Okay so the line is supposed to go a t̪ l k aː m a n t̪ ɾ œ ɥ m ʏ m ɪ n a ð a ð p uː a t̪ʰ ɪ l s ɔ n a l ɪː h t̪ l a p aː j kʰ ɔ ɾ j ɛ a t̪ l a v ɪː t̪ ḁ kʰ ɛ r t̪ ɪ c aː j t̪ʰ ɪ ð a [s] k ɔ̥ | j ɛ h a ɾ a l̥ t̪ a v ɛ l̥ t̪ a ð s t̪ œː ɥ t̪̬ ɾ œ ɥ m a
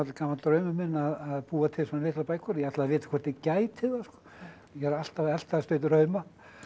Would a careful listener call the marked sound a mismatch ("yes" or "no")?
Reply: no